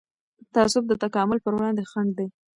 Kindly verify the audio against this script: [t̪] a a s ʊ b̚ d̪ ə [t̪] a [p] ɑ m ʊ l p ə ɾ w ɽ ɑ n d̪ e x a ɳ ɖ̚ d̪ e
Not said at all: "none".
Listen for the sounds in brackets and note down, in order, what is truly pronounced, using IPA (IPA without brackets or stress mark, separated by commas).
t̪, t̪, k